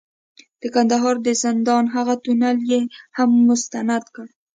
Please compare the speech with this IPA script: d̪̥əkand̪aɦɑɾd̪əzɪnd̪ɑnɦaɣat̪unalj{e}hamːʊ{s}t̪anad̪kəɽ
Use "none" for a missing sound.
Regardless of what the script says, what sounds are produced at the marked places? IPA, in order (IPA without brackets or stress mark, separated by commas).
e, s